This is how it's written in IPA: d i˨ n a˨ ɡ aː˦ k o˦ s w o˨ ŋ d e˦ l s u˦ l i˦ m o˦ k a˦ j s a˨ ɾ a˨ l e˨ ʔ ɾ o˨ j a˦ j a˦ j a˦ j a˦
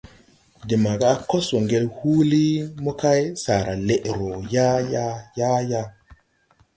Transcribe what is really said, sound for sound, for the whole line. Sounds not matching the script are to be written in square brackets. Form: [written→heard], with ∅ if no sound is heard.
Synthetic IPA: d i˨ [n→m] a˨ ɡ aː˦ k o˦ s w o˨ ŋ [d→ɡ] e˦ l [s→h] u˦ l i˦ m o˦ k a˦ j s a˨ ɾ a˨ l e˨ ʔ ɾ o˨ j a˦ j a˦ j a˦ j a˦